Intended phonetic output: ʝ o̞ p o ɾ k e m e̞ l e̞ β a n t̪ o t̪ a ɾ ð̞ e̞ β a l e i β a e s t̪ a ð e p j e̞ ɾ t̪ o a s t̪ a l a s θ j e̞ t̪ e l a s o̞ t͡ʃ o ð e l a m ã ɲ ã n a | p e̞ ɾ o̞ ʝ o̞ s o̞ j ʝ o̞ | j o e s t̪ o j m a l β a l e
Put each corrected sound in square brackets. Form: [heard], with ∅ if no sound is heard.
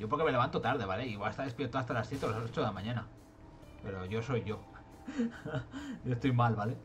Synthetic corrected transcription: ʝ o̞ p o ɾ k e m e̞ l e̞ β a n t̪ o t̪ a ɾ ð̞ e̞ β a l e i β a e s t̪ a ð e p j e̞ ɾ t̪ o a s t̪ a l a s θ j e̞ t̪ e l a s o̞ t͡ʃ o ð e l a m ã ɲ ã n a | p e̞ ɾ o̞ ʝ o̞ s o̞ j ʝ o̞ | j o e s t̪ o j m a l β a l e